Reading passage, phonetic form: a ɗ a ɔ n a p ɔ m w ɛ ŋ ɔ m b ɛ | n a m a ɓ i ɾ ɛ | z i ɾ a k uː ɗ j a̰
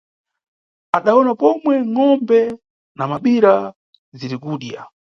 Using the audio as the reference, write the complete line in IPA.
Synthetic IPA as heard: a ɗ a ɔ n a p ɔ m w ɛ ŋ ɔ m b ɛ | n a m a ɓ i ɾ a | z i ɾ i k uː ɗ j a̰